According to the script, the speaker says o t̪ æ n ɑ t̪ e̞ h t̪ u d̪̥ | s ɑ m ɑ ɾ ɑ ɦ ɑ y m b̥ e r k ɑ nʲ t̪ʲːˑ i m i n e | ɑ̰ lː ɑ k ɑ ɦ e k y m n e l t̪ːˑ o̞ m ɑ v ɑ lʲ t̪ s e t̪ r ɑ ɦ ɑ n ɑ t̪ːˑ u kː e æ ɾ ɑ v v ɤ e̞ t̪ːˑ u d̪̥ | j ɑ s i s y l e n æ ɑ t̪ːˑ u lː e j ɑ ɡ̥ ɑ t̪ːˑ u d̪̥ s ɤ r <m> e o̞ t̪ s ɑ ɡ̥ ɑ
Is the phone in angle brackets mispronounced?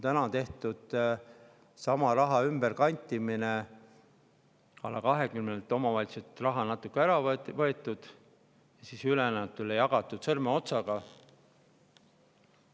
no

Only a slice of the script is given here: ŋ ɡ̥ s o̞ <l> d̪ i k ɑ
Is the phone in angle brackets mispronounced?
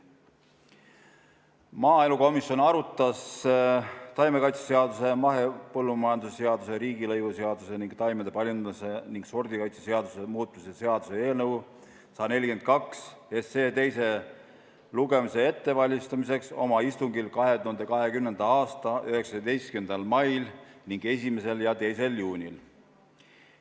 yes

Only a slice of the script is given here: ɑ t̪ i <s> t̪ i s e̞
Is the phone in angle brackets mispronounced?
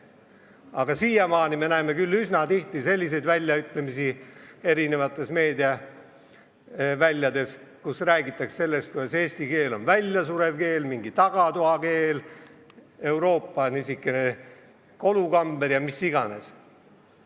yes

